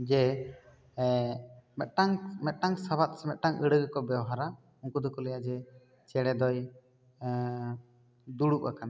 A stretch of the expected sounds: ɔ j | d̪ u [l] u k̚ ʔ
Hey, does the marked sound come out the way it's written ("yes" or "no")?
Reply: no